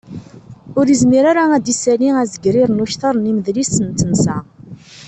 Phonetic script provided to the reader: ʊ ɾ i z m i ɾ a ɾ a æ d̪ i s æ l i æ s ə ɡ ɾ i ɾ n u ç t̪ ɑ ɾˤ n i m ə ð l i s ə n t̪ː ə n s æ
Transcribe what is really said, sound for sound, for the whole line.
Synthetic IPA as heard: ʊ ɾ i z m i ɾ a ɾ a æ d̪ i s æ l i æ z ə ɡ ɾ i ɾ n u ç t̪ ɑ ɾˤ n i m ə ð l i s ə n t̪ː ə n s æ